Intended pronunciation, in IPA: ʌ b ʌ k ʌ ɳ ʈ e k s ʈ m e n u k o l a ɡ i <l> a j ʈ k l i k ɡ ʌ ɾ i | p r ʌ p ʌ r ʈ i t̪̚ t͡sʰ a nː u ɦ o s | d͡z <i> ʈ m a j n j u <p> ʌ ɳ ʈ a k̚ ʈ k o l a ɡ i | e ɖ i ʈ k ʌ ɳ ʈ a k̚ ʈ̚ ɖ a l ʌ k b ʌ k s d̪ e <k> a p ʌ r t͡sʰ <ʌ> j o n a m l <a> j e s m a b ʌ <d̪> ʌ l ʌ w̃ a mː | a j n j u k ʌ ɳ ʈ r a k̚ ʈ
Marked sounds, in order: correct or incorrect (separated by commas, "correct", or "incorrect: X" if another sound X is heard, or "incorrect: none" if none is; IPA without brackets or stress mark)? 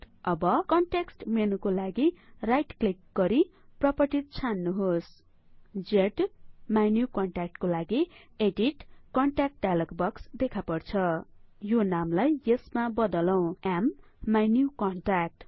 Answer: incorrect: r, incorrect: e, incorrect: k, incorrect: kʰ, correct, correct, correct